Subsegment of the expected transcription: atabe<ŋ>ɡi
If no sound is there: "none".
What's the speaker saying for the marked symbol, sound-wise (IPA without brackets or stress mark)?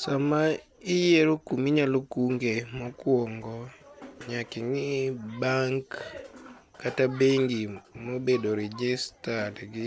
ŋ